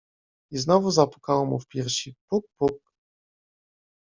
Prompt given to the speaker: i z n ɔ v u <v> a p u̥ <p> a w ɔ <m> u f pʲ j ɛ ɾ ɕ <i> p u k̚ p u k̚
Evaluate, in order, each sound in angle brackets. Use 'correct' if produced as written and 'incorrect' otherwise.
incorrect, incorrect, correct, correct

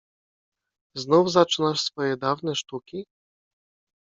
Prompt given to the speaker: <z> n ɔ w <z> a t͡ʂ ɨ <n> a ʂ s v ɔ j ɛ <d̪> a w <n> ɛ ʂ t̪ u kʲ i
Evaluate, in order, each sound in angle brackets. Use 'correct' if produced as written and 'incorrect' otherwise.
correct, correct, correct, correct, correct

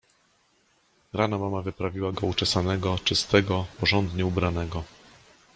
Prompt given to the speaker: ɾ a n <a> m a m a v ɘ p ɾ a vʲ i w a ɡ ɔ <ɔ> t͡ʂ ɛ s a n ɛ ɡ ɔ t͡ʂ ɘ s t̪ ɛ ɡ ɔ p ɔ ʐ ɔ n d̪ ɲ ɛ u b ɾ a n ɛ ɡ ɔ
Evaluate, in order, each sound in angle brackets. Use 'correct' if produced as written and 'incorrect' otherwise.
correct, incorrect

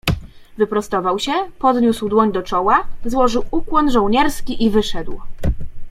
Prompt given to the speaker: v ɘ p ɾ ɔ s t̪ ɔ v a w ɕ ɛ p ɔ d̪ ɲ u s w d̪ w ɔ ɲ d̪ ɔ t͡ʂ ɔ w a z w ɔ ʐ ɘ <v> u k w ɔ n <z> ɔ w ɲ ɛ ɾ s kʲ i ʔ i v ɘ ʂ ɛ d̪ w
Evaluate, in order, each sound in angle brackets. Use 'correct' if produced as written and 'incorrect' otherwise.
incorrect, incorrect

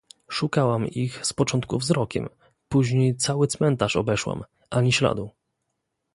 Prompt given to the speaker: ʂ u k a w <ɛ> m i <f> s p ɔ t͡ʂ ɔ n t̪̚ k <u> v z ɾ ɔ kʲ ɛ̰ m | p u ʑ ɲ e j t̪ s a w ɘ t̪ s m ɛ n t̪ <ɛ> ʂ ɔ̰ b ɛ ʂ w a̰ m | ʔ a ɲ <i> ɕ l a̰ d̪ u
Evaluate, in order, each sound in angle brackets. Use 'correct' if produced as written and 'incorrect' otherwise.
incorrect, incorrect, correct, incorrect, correct

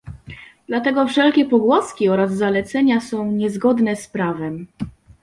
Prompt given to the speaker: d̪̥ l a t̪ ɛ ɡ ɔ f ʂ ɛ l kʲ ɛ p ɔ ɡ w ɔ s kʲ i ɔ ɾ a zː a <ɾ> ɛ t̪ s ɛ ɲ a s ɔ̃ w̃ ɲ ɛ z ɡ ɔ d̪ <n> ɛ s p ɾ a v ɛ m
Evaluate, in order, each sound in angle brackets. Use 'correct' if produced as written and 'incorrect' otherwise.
incorrect, correct

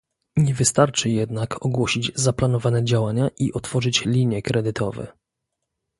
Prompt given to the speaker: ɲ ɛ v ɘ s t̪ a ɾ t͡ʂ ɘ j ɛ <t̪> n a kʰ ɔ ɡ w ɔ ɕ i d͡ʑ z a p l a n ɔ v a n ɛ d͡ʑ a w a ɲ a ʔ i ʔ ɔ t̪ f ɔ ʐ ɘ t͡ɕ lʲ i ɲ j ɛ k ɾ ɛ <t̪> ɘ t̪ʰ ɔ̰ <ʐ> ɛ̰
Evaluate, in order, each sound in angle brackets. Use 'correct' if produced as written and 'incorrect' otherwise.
incorrect, incorrect, incorrect

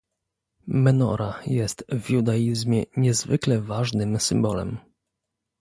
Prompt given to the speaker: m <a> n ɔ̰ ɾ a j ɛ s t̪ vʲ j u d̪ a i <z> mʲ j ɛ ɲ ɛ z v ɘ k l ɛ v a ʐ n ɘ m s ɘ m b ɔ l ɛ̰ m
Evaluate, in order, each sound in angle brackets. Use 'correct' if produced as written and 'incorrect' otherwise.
incorrect, correct

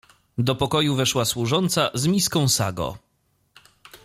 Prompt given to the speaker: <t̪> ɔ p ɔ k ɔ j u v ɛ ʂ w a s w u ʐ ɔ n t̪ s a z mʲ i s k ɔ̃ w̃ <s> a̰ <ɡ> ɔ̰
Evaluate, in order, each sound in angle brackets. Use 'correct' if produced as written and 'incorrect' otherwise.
incorrect, correct, correct

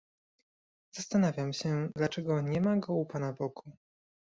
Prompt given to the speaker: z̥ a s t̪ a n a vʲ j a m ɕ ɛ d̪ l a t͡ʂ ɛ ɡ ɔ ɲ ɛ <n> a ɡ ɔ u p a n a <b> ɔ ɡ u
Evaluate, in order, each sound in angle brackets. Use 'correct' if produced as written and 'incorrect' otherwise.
incorrect, correct

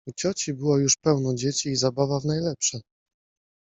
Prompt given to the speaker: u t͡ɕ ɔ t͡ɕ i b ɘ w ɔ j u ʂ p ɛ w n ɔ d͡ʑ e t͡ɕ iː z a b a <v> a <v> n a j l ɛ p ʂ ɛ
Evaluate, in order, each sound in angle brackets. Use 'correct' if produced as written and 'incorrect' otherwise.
correct, correct

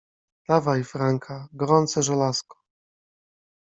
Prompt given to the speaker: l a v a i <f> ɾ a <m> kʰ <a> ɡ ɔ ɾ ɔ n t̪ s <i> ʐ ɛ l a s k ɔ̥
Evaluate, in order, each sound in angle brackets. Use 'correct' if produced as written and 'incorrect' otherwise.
correct, incorrect, correct, incorrect

